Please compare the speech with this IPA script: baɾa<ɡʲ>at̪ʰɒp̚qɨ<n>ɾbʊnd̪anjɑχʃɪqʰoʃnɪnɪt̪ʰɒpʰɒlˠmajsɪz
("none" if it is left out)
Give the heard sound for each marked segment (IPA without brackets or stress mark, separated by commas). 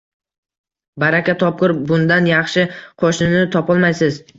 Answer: kʲ, none